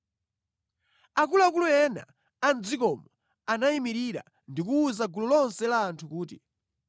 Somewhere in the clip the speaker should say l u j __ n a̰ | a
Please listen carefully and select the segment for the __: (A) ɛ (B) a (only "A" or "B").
A